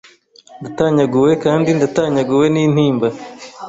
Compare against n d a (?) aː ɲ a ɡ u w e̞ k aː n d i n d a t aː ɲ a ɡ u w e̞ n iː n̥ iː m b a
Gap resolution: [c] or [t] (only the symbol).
t